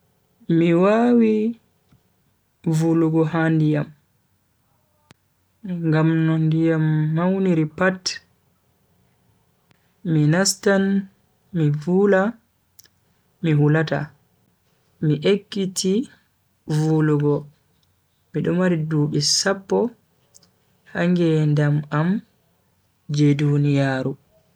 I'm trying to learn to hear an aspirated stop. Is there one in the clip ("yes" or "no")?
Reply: no